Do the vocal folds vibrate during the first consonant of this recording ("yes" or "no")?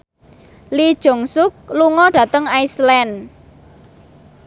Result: yes